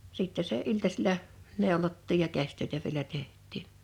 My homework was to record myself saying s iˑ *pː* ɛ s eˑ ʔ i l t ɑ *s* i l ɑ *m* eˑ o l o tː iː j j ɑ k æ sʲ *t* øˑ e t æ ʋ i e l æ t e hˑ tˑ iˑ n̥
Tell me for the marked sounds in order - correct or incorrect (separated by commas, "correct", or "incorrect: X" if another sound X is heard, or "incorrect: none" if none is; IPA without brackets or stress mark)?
incorrect: tː, correct, incorrect: n, correct